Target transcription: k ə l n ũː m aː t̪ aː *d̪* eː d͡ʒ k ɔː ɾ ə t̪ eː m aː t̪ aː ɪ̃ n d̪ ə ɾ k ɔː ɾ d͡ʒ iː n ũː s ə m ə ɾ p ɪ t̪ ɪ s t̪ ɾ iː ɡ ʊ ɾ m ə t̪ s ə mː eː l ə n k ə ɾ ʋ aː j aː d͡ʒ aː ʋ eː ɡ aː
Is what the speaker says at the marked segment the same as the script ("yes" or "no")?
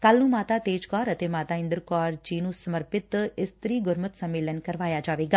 no